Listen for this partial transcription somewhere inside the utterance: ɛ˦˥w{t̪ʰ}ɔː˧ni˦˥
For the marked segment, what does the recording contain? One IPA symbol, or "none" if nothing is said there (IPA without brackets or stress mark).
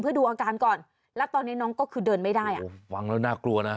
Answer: t̪